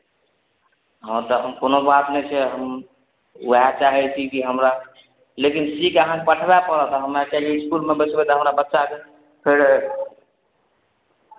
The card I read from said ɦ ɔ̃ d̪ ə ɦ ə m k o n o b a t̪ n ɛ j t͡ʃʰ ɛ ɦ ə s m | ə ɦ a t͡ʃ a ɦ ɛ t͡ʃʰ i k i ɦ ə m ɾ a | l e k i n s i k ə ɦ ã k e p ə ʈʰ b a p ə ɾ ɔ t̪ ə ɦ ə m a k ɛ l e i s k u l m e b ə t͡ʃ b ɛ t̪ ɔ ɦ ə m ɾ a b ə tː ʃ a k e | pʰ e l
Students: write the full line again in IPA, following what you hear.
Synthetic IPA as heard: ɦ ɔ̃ t̪ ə ɦ ə m k o n o b a t̪ n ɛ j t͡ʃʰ ɛ ɦ ə m | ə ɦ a t͡ʃ a ɦ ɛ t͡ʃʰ i k i ɦ ə m ɾ a | l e k i n s i k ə ɦ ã k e p ə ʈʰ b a p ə ɾ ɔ t̪ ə ɦ ə m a k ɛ l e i s k u l m e b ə t͡ʃ b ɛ t̪ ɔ ɦ ə m ɾ a b ə tː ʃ a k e | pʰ e ɾ

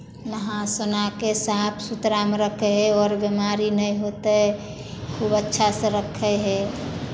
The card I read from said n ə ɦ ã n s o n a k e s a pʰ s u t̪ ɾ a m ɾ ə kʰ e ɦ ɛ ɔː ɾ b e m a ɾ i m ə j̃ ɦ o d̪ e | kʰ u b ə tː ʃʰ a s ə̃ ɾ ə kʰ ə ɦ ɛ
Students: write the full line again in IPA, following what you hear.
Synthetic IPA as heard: n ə ɦ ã s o n a k e s a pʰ s u t̪ ɾ a m ɾ ə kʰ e ɦ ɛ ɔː ɾ b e m a ɾ i n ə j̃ ɦ o t̪ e | kʰ u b ə tː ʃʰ a s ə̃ ɾ ə kʰ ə ɦ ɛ

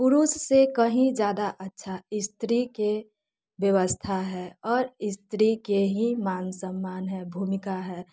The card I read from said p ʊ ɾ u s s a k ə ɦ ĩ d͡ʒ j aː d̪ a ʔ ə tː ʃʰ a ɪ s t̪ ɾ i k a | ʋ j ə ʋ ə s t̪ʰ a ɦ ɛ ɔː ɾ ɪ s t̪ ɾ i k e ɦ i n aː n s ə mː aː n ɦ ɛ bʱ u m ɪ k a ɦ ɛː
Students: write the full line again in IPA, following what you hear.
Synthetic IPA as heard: p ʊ ɾ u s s e k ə ɦ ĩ d͡ʒ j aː d̪ a ʔ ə tː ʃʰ a ɪ s t̪ ɾ i k e | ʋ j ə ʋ ə s t̪ʰ a ɦ ɛ ɔː ɾ ɪ s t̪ ɾ i k e ɦ i m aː n s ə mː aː n ɦ ɛ bʱ u m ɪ k a ɦ ɛː

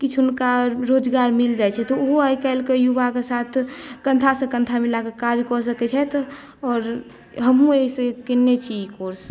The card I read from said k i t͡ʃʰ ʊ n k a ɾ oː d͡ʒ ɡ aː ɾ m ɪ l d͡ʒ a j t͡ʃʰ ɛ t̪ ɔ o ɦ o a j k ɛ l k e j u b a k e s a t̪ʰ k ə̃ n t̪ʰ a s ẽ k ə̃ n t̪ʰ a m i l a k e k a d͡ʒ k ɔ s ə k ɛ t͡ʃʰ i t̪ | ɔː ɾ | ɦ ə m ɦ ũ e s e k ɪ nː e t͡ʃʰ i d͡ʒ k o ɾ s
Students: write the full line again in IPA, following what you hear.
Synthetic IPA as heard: k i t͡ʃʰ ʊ n k a ɾ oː d͡ʒ ɡ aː ɾ m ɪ l d͡ʒ a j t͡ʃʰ ɛ t̪ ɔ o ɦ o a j k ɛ l k e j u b a k e s a t̪ʰ k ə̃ n t̪ʰ a s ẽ k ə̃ n t̪ʰ a m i l a k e k a d͡ʒ k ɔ s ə k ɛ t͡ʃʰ ɛ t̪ | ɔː ɾ | ɦ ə m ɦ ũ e s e k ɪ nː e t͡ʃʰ i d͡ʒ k o ɾ s

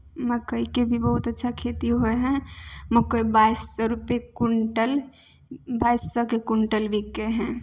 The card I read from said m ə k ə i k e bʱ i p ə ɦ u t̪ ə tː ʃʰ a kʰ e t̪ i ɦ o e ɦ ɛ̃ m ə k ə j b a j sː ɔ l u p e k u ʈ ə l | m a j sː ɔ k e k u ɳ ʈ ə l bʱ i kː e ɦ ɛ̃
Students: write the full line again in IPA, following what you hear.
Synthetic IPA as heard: m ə k ə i k e bʱ i b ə ɦ u t̪ ə tː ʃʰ a kʰ e t̪ i ɦ o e ɦ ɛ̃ m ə k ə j b a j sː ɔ ɾ u p e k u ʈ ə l | b a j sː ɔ k e k u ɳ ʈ ə l bʱ i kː e ɦ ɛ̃

